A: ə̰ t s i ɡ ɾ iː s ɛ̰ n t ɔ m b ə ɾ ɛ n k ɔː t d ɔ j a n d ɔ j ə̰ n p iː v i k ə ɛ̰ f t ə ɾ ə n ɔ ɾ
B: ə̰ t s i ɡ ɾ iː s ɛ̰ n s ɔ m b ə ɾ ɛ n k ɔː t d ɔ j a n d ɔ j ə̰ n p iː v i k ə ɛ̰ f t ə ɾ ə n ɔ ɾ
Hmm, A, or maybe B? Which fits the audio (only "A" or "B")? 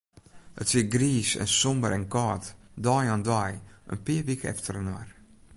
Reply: B